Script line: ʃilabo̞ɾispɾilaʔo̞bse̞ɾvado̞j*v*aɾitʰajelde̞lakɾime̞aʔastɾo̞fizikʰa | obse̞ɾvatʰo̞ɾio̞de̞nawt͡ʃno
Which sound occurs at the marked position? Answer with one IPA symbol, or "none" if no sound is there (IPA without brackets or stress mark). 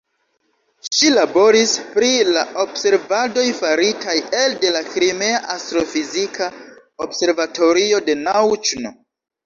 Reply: f